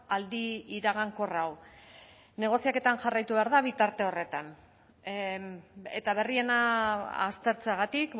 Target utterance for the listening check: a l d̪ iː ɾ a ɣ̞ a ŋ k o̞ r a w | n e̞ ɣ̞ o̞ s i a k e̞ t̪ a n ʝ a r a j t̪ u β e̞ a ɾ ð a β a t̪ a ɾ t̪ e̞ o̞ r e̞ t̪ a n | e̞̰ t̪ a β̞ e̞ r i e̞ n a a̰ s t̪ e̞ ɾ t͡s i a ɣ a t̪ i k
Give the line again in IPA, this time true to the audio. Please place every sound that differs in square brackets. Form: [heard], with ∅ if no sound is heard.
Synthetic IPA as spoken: a l d̪ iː ɾ a ɣ̞ a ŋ k o̞ r a w | n e̞ ɣ̞ o̞ s i a k e̞ t̪ a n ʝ a r a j t̪ u β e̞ a ɾ ð a β [i] t̪ a ɾ t̪ e̞ o̞ r e̞ t̪ a n | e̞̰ t̪ a β̞ e̞ r i e̞ n a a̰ s t̪ e̞ ɾ t͡s [e] a ɣ a t̪ i k